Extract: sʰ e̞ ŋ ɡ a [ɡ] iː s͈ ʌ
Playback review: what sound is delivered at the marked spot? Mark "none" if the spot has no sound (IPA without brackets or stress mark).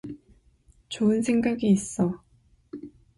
ɡ